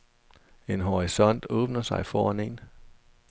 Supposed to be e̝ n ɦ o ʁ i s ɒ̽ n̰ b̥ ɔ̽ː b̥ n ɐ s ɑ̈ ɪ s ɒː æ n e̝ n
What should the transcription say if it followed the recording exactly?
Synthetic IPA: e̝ n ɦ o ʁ i s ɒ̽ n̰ d̥ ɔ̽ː b̥ n ɐ s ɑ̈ ɪ f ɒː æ n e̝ n